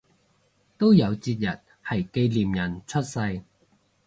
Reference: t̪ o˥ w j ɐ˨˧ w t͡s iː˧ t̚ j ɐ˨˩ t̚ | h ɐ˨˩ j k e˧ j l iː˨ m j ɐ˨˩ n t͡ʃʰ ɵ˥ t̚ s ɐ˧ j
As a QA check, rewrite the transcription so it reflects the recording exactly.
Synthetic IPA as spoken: t̪ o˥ w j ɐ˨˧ w t͡s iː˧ t̚ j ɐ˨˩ t̚ | h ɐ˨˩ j k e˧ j l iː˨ m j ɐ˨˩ n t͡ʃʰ ɵ˥ t̚ s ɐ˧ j